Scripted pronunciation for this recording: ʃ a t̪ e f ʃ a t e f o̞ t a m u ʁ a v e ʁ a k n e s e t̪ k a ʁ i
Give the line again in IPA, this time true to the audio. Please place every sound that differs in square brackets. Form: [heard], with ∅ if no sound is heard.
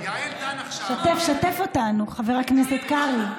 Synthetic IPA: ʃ a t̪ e f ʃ a t e f o̞ t a [n] u [χ] a v e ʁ a k n e s e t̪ k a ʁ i

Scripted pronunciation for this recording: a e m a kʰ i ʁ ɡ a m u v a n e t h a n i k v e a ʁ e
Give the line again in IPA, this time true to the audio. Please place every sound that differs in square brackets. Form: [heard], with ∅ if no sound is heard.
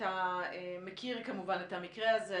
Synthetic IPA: a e m [e] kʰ i ʁ [k] a m u v a n e t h a [m] i k [ʁ] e a [z] e

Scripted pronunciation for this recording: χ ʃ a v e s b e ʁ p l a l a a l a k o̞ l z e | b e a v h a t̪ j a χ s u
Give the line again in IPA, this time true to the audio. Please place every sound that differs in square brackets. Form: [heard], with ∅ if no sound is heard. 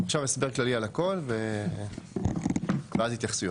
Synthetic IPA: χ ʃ a v e s b e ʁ [k] l a l [i] a l a k o̞ l [v] e | [v] e a [z] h [i] t̪ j a χ s u

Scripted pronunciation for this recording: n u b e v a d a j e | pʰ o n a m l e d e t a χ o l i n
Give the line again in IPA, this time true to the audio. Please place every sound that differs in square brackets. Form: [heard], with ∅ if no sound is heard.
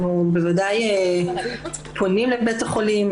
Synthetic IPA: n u b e v a d a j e | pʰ o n [i] m l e [b] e t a χ o l i [m]

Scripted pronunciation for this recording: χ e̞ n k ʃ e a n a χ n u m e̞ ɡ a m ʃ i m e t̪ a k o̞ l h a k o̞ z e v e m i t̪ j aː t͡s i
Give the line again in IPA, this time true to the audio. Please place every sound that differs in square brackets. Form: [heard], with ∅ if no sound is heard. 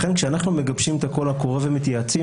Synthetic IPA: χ e̞ n k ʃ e a n a χ n u m e̞ ɡ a [b] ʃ i m e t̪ a k o̞ l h a k o̞ [ʁ] e v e m i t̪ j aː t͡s i

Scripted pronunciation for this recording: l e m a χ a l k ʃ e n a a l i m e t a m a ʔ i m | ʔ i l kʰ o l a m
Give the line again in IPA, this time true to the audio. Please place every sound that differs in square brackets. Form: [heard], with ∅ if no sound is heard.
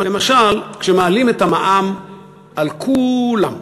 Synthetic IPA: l e m a [ʃ] a l k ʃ e [m] a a l i m e t a m a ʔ [a] m | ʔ [a] l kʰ [u] l a m

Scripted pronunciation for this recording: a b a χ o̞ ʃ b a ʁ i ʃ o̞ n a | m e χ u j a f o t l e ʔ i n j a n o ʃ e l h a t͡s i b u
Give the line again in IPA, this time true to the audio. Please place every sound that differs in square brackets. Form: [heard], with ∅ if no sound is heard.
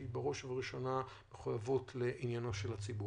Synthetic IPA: [i] b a [ʁ] o̞ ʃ [v] a ʁ i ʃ o̞ n a | m e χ u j a [v] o t l e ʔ i n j a n o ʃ e l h a t͡s i b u

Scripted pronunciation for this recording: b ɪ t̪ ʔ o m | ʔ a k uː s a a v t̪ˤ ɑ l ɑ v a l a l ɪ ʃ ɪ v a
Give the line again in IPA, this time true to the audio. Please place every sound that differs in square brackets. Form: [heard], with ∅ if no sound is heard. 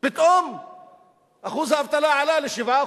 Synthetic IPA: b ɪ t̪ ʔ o m | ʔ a [x] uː [z] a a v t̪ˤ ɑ l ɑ [ʕ] a l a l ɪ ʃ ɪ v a

